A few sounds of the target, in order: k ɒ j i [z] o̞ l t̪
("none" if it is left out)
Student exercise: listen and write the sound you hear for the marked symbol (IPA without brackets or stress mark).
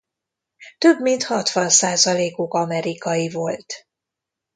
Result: v